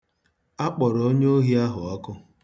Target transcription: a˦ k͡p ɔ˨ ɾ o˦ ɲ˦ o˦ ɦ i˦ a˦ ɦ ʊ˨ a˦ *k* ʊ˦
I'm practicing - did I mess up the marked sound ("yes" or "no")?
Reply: no